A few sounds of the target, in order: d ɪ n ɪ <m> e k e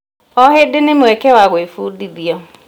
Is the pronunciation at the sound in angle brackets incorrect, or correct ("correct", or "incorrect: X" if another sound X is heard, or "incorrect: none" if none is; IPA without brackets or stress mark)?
correct